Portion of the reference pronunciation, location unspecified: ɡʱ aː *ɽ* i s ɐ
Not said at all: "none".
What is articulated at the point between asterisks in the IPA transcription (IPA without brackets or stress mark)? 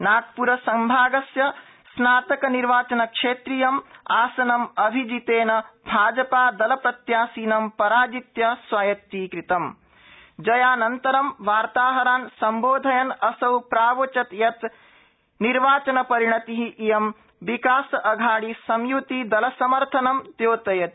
ɽ